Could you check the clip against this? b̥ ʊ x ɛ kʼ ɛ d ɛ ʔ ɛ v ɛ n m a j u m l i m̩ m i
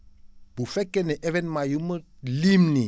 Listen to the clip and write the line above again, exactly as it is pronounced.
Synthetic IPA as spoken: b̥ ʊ f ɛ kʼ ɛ n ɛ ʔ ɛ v ɛ n m a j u m l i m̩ n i